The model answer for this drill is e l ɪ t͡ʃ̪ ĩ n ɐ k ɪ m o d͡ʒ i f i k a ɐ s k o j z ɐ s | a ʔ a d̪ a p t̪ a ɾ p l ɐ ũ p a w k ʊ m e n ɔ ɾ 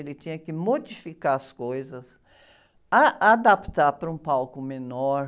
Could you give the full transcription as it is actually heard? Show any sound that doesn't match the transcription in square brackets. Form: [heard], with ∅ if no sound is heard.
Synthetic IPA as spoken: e l ɪ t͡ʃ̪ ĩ [ɲ] ɐ k ɪ m o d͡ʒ i f i k a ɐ s k o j z ɐ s | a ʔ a d̪ a p t̪ a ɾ p [ɾ] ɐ ũ p a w k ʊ m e n ɔ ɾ